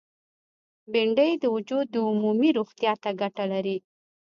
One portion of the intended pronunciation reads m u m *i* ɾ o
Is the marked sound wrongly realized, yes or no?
no